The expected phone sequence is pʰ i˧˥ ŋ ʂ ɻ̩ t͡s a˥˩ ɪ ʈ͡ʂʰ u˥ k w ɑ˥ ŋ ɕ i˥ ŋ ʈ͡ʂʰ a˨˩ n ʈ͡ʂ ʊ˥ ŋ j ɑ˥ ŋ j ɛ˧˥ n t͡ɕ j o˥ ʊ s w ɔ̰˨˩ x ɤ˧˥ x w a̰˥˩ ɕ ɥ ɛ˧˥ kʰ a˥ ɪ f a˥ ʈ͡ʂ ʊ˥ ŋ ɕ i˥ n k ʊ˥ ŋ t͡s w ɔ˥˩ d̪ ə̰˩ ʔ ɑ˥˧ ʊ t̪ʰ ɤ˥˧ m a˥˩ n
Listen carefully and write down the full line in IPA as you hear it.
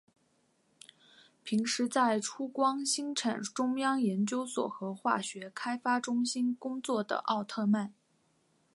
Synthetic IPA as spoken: pʰ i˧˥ ŋ ʂ ɻ̩ t͡s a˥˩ ɪ ʈ͡ʂʰ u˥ k w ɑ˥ ŋ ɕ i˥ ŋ ʈ͡ʂʰ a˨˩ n ʈ͡ʂ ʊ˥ ŋ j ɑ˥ ŋ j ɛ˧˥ n t͡ɕ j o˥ ʊ s w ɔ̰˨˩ x ɤ˧˥ x w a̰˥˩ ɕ ɥ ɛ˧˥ kʰ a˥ ɪ f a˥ ʈ͡ʂ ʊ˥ ŋ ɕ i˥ n k ʊ˥ ŋ t͡s w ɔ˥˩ d̪ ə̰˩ ʔ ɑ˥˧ ʊ t̪ʰ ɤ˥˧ m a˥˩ n